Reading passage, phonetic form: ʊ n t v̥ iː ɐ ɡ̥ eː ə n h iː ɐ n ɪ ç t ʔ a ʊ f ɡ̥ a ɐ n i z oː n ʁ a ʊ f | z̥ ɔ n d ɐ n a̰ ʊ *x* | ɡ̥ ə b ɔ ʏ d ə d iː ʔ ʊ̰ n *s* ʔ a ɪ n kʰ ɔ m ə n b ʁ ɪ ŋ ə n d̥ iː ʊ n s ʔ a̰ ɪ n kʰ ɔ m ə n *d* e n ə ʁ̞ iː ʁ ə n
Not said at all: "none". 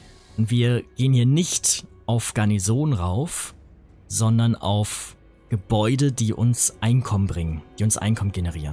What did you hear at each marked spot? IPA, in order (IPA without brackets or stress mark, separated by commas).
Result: f, s, ɡ